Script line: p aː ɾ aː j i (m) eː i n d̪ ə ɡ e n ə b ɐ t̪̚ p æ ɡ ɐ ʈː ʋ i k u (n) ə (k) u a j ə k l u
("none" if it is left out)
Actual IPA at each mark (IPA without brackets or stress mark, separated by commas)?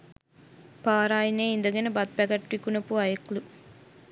n, n, p